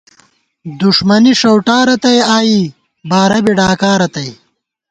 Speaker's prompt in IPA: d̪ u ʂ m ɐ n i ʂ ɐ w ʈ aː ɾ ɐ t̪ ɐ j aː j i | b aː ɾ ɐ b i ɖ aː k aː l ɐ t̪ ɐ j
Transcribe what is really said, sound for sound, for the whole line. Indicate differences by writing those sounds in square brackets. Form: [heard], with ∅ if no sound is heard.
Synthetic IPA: d̪ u ʂ m ɐ n i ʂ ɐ w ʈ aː ɾ ɐ t̪ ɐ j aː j i | b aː ɾ ɐ b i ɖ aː k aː [ɾ] ɐ t̪ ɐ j